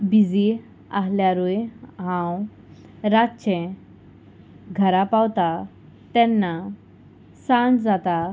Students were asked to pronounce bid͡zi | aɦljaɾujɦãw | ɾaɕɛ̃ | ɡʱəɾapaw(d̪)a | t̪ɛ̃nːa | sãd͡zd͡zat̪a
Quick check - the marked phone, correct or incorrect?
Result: incorrect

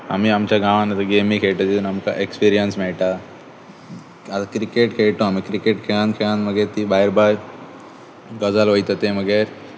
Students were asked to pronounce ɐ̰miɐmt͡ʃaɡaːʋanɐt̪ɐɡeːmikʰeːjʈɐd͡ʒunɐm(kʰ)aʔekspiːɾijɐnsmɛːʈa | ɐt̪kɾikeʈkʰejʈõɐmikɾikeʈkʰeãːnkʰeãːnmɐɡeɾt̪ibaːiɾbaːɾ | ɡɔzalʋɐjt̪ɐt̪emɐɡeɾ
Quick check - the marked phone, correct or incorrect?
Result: incorrect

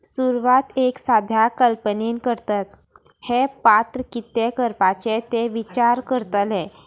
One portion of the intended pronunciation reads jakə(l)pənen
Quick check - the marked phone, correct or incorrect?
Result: correct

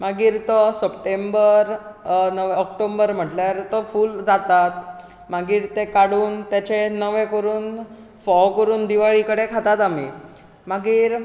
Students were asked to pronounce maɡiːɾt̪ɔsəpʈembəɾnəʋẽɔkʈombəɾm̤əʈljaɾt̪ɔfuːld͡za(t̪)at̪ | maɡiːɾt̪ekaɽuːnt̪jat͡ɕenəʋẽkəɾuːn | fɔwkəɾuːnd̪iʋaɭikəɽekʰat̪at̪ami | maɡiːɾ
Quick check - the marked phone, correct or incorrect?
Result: correct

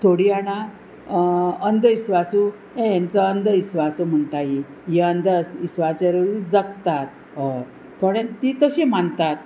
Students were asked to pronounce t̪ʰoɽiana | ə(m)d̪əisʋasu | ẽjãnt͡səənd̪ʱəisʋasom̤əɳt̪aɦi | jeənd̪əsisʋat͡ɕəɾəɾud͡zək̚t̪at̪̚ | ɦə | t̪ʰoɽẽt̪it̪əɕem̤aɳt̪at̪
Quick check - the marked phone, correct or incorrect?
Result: incorrect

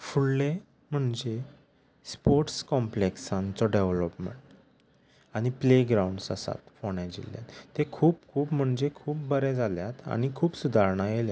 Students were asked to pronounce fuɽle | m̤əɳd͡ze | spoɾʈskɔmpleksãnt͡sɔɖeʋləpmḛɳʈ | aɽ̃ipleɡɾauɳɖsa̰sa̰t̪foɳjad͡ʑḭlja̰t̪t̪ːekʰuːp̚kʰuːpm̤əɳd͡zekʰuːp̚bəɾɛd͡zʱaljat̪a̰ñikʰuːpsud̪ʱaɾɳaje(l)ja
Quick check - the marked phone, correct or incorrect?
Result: correct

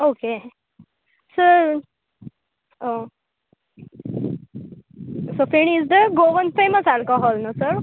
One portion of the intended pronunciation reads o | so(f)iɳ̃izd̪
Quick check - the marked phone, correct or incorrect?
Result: correct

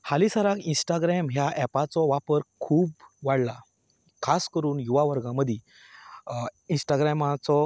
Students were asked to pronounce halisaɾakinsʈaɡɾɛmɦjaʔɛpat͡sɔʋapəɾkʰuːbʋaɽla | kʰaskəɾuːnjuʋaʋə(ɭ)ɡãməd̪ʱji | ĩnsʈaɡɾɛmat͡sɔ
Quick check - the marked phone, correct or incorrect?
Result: incorrect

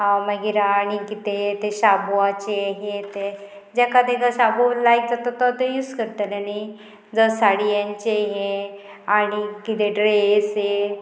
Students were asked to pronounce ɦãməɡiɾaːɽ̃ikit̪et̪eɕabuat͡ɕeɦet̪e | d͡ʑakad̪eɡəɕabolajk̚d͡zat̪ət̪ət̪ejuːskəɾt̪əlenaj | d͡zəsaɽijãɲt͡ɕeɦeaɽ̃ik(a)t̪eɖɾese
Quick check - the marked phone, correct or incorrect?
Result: incorrect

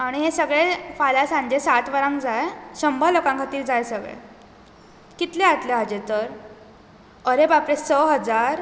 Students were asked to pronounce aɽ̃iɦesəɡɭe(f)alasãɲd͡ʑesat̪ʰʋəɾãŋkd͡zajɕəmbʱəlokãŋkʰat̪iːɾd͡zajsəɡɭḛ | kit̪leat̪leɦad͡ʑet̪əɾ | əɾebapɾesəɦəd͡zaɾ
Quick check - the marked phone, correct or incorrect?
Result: correct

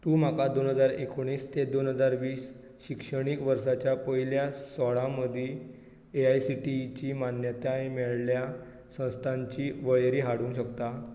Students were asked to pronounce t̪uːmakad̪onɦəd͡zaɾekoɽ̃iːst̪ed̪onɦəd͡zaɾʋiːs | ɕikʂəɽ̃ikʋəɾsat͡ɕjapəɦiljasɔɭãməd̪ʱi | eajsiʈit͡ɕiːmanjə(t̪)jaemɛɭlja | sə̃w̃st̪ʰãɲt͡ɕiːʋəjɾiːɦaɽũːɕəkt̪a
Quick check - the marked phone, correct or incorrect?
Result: correct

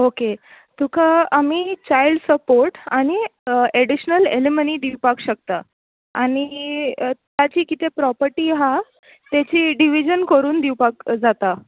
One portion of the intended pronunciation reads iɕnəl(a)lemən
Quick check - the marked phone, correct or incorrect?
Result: incorrect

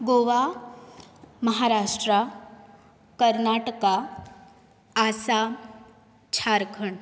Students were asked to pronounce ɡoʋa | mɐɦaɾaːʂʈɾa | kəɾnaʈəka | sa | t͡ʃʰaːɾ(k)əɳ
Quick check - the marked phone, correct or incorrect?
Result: incorrect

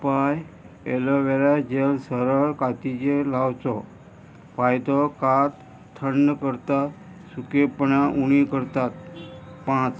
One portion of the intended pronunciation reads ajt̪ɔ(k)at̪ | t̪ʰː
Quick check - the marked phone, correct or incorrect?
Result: correct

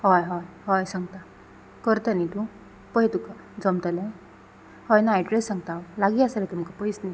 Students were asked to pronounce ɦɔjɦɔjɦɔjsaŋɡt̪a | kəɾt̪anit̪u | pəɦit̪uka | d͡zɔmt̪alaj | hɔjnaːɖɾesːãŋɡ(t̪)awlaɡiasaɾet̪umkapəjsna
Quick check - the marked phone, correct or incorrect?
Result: correct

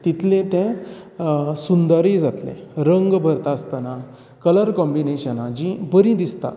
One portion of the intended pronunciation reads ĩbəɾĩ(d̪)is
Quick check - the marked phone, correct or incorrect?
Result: correct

